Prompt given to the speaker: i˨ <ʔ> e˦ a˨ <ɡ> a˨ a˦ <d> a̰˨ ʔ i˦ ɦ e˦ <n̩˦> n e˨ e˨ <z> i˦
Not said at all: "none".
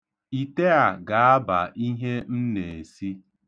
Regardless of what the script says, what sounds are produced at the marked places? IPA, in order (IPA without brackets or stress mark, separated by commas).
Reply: t, ɡ, b, n̩˦, s